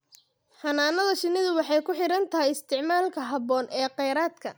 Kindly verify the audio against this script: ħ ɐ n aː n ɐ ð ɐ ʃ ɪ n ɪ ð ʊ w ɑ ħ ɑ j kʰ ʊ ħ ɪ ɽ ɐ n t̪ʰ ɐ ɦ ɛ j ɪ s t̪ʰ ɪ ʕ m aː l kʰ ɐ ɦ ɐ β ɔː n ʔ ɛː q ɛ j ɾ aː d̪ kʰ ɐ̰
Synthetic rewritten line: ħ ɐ n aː n ɐ ð ɐ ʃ ɪ n ɪ ð ʊ w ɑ ħ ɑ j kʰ ʊ ħ ɪ ɾ ɐ n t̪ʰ ɐ ɦ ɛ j ɪ s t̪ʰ ɪ ʕ m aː l kʰ ɐ ɦ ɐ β ɔː n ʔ ɛː q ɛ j ɾ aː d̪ kʰ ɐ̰